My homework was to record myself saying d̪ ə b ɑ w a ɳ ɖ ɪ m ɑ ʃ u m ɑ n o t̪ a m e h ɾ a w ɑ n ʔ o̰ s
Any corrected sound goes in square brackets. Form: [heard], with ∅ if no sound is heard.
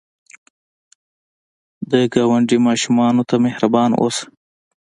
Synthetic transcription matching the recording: d̪ ə [ɡ] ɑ w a ɳ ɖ [i] m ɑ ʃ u m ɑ n o t̪ a m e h ɾ a [b] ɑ n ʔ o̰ s